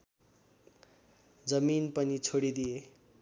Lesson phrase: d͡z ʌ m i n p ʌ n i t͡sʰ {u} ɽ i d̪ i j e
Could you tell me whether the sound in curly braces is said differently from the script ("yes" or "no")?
yes